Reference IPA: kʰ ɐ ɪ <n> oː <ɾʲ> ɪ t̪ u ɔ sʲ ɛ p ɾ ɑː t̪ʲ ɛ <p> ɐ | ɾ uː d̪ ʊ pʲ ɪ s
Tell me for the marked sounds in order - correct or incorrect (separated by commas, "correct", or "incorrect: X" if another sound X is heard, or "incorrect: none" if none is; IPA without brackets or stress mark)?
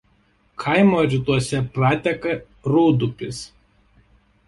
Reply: incorrect: m, correct, incorrect: k